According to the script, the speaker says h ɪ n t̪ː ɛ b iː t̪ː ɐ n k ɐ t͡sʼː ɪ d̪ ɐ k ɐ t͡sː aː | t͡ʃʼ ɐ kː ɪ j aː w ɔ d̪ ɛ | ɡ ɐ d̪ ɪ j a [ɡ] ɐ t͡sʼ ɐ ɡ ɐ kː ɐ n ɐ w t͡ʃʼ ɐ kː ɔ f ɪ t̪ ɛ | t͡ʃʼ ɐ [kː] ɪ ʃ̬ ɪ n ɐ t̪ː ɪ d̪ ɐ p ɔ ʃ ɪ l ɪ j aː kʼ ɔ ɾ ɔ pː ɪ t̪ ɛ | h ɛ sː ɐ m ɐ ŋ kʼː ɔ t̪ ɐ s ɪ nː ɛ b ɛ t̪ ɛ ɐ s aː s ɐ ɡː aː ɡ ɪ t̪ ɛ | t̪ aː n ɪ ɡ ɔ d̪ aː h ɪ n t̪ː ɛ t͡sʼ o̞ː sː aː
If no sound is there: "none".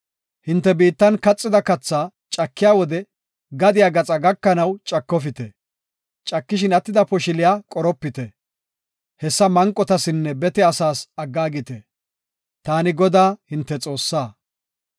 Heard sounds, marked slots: ɡ, kː

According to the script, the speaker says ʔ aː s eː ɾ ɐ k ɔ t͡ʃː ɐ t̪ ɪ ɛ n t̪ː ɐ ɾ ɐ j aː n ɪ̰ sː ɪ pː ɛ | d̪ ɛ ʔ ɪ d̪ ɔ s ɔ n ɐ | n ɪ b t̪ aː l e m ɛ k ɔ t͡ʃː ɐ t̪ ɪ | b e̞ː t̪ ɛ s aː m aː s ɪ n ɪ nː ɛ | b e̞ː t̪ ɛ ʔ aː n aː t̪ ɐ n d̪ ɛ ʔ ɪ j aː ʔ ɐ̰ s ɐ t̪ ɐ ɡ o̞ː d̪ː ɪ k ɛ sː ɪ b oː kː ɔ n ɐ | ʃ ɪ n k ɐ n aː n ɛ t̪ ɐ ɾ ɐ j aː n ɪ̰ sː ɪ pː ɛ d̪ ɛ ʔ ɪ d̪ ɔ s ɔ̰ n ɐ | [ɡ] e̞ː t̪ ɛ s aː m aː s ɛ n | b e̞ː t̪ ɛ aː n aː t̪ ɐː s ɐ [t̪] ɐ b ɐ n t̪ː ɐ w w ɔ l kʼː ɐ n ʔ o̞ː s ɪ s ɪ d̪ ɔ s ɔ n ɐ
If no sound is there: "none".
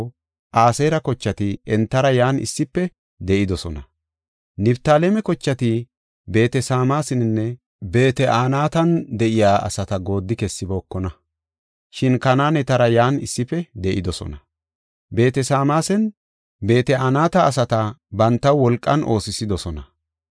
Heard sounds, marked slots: b, t̪

